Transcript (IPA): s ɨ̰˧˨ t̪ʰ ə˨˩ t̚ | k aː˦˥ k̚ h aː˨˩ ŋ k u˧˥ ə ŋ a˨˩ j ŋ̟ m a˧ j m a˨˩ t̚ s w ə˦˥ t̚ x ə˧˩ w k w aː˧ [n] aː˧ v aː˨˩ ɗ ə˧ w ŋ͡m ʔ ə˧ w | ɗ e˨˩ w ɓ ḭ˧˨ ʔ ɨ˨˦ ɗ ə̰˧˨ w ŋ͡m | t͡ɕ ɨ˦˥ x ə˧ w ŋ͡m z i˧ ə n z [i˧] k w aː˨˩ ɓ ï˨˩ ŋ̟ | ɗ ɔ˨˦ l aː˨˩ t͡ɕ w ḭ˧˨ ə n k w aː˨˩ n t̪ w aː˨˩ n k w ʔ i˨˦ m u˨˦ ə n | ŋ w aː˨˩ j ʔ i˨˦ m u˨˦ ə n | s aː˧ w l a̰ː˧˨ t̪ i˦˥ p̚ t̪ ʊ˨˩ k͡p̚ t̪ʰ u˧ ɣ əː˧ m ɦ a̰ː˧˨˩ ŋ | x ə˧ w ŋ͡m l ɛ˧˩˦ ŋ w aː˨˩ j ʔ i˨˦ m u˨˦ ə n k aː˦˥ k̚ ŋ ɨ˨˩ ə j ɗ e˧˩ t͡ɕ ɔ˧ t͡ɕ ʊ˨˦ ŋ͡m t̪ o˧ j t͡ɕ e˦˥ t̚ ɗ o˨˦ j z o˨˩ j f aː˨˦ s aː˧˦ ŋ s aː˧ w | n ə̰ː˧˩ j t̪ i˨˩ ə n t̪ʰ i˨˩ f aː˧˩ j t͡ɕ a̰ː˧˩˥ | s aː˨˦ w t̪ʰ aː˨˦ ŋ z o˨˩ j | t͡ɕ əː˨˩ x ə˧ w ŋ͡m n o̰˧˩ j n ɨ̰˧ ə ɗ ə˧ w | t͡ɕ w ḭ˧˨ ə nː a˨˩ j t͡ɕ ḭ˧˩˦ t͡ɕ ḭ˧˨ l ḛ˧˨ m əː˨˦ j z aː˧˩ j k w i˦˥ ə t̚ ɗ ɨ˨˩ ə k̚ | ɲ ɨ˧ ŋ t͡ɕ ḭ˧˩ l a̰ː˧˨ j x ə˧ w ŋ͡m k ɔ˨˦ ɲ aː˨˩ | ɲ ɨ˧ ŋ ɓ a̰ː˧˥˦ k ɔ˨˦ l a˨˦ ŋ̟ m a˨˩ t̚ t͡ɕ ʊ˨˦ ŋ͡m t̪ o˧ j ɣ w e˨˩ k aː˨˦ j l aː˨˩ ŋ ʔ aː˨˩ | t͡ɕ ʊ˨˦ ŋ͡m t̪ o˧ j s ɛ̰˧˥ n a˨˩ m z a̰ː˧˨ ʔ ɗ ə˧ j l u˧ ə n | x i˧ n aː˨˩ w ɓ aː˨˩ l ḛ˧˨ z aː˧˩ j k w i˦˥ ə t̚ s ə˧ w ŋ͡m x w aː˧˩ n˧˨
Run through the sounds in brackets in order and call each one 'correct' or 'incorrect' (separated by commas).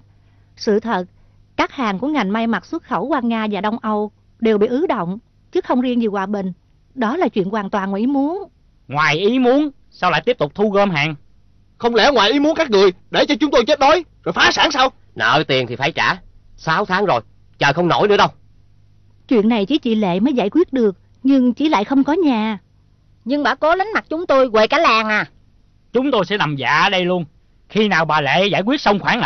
incorrect, incorrect